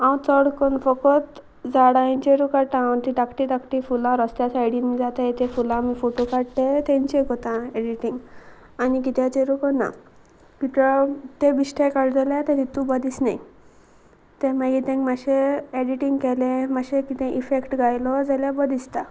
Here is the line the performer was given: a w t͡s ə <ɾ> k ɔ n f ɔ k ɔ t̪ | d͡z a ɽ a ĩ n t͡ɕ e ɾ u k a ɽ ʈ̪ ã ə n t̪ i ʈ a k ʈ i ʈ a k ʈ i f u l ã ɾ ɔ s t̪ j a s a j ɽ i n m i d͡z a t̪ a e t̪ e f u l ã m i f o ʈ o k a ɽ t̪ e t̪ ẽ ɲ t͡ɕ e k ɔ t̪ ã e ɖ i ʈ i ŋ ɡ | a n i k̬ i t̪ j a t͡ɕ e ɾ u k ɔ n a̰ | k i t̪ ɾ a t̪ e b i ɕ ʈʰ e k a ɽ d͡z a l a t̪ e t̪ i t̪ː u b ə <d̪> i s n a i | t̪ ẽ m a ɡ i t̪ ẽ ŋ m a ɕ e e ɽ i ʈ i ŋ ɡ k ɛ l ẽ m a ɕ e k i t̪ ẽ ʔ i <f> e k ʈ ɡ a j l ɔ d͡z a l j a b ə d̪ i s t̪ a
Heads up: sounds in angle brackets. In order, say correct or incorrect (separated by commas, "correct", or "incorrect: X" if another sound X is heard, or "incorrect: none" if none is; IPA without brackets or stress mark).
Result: incorrect: ɽ, correct, correct